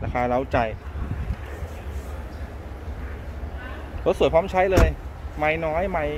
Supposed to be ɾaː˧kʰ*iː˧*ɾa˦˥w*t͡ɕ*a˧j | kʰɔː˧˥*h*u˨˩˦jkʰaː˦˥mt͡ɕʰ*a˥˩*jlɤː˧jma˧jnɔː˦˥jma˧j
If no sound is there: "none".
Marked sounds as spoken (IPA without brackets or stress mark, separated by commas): aː˧, t͡ɕ, s, a˦˥